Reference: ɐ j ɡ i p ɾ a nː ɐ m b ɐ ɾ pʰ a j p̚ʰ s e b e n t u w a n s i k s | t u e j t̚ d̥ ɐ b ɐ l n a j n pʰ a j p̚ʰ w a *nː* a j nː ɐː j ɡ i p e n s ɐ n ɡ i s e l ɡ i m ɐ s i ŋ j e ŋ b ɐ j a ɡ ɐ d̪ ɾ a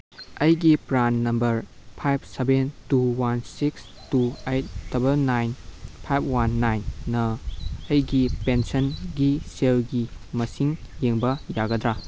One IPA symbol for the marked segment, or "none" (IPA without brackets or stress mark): nː